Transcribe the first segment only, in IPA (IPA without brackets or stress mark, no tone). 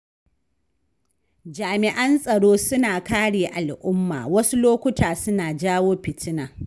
d͡ʒ